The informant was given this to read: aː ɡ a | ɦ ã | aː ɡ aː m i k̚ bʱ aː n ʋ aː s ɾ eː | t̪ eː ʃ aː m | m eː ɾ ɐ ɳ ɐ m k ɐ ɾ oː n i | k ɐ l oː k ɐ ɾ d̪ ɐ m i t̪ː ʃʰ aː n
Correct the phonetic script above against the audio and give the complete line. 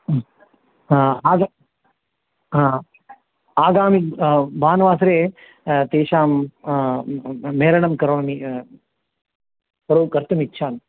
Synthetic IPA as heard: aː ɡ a | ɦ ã | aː ɡ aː m i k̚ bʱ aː n ʋ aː s ɾ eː | t̪ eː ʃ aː m | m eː ɾ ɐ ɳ ɐ m k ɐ ɾ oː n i | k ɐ ɾ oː k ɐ ɾ t̪ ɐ m i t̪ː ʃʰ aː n